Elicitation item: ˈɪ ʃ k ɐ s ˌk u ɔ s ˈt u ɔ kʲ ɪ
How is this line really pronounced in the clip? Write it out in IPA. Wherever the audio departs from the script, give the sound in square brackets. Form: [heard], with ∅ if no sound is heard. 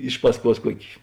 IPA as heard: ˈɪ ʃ [p] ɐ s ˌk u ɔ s [ˈk] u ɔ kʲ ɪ